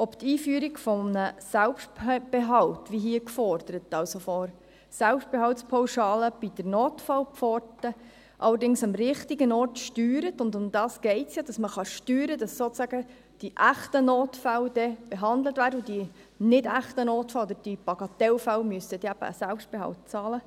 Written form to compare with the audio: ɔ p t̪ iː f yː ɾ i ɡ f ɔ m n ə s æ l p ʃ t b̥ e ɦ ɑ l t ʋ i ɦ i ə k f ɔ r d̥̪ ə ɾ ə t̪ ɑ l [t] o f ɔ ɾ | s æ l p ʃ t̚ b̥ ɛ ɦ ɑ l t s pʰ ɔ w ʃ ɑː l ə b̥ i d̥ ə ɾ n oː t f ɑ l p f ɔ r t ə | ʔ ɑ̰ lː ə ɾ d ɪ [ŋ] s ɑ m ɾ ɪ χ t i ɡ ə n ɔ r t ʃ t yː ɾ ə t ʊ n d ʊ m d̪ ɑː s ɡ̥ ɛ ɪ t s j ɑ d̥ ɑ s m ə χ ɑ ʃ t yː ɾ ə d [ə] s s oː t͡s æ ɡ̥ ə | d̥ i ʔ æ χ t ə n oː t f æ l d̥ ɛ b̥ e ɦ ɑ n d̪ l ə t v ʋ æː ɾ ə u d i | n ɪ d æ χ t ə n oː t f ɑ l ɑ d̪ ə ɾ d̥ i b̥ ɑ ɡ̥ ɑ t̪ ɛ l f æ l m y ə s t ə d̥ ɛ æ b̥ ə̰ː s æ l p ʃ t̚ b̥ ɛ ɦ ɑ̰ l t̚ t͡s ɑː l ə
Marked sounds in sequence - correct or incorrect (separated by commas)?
incorrect, correct, incorrect